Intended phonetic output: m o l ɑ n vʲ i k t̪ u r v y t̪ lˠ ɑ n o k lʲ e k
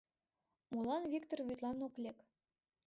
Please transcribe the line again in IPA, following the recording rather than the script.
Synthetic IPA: m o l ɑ n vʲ i k t̪ o r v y t̪ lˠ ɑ n o k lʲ e k